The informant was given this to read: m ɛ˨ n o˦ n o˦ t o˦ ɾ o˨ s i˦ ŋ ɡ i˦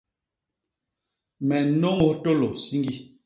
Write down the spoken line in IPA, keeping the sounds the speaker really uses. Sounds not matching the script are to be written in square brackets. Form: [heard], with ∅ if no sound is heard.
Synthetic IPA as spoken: m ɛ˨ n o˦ [ŋ] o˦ t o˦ [l] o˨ s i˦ ŋ ɡ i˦